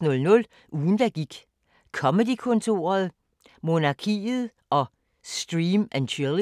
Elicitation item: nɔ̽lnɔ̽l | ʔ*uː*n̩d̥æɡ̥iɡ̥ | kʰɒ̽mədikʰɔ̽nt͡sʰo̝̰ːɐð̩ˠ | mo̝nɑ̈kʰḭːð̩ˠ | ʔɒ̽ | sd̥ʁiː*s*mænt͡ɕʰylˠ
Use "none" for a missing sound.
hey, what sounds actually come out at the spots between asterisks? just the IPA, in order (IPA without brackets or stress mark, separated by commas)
uː, none